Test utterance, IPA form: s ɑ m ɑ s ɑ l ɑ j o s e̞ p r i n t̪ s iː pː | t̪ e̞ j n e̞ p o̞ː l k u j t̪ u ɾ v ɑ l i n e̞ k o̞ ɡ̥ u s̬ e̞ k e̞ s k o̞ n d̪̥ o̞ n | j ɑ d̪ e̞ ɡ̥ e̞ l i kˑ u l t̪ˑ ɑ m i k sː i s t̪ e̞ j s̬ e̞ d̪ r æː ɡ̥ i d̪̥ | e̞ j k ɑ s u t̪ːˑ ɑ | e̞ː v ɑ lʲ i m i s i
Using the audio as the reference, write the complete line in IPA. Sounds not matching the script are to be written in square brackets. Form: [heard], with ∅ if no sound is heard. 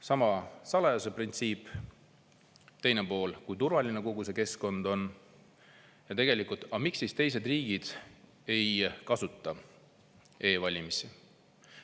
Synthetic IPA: s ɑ m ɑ s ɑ l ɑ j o s e̞ p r i n t̪ s iː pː | t̪ e̞ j n e̞ p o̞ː l k u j t̪ u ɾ v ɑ l i n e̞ k o̞ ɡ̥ u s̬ e̞ k e̞ s k o̞ n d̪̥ o̞ n | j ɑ [t̪] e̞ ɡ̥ e̞ l i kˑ u l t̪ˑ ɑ m i k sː i s t̪ e̞ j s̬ e̞ d̪ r [iː] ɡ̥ i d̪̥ | e̞ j k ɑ s u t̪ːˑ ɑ | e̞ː v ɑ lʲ i m i s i